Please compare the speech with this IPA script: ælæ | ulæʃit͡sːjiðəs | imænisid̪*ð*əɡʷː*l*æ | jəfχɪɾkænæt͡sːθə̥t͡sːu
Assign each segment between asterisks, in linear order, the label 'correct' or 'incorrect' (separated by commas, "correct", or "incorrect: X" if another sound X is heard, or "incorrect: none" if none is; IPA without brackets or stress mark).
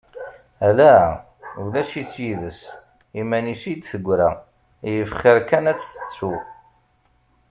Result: incorrect: θ, incorrect: ɾ